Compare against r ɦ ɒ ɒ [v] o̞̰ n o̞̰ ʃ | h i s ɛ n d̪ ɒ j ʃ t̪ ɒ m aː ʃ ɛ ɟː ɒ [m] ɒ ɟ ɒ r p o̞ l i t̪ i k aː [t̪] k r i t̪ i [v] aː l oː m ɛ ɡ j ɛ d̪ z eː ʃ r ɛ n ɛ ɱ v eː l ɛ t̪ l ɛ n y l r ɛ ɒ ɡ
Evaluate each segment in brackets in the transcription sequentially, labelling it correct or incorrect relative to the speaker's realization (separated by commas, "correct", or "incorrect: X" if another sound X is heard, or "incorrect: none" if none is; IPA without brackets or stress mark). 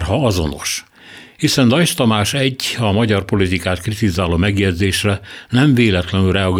incorrect: z, correct, correct, incorrect: z